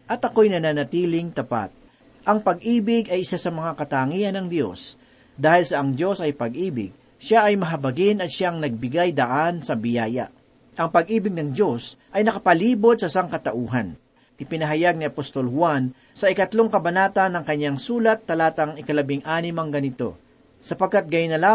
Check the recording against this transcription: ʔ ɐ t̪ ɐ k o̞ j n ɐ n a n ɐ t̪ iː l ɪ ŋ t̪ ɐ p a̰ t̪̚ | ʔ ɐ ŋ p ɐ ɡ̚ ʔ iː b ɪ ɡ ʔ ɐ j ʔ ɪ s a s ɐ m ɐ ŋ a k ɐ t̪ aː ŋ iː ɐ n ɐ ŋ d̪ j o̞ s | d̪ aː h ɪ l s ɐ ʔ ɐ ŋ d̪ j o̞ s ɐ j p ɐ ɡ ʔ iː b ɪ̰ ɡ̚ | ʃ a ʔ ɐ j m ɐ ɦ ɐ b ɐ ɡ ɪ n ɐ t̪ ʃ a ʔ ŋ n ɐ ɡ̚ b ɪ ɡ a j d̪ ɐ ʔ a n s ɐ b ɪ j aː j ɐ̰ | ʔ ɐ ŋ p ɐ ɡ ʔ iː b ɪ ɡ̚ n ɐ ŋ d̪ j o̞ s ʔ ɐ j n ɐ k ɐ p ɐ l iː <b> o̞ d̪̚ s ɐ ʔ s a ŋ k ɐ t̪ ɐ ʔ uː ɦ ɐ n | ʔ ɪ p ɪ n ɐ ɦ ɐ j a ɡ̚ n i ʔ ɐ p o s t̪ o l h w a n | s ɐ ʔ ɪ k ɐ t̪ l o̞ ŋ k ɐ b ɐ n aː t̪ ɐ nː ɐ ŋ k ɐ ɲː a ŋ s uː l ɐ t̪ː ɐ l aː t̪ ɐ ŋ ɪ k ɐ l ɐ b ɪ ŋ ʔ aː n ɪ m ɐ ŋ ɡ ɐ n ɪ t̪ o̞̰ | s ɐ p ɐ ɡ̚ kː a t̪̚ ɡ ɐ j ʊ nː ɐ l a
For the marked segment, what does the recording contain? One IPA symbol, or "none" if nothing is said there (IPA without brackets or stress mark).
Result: b